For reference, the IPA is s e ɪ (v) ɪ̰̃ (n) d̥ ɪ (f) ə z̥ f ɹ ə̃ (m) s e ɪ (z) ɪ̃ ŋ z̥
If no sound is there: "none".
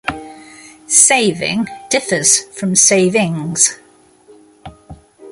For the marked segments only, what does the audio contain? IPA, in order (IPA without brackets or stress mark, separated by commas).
v, ŋ, f, m, v